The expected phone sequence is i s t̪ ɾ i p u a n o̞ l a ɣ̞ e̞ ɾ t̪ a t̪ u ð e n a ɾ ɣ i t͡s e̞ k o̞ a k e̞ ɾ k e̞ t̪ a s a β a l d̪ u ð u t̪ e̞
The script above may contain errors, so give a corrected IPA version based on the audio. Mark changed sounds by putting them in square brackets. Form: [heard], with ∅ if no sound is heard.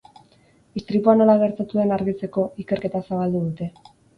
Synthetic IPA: i s t̪ ɾ i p u a n o̞ l a ɣ̞ e̞ ɾ t̪ a t̪ u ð e n a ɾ ɣ i t͡s e̞ k o̞ [i] k e̞ ɾ k e̞ t̪ a s a β a l d̪ u ð u t̪ e̞